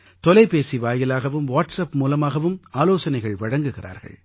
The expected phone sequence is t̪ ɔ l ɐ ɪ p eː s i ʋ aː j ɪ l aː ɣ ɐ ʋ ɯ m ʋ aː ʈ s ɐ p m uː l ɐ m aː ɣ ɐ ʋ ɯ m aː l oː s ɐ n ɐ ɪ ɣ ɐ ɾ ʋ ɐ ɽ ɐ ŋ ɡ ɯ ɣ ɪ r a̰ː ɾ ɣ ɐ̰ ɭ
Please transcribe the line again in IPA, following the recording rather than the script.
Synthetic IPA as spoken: t̪ ɔ l ɐ ɪ p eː s i ʋ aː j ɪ l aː ɣ ɐ ʋ ɯ m ʋ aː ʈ s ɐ p m uː l ɐ m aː ɣ ɐ ʋ ɯ m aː l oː s ɐ n ɐ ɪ ɣ ɐ ɭ ʋ ɐ ɽ ɐ ŋ ɡ ɯ ɣ ɪ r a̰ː ɾ ɣ ɐ̰ ɭ